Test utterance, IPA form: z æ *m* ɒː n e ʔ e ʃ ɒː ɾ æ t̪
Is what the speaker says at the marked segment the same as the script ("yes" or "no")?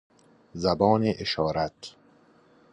no